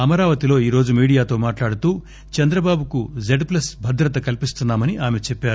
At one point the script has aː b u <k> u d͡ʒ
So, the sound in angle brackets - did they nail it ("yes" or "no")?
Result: yes